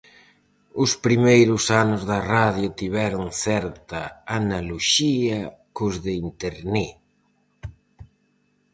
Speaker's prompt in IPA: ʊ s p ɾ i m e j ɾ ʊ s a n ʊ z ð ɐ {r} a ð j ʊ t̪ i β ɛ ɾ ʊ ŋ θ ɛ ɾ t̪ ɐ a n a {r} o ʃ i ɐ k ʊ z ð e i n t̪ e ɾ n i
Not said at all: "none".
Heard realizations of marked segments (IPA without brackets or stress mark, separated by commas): r, l